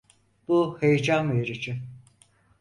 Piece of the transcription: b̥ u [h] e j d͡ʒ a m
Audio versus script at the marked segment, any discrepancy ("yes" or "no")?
no